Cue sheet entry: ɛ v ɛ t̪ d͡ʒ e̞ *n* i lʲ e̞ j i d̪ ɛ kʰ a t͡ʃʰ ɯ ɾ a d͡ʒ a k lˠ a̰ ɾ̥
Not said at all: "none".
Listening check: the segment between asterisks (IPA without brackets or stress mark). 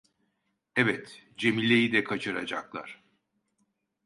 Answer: m